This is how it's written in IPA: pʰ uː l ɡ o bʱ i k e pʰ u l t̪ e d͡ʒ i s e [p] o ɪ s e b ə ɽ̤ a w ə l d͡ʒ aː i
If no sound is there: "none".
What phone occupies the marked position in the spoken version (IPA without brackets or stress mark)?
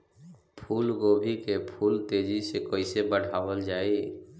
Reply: k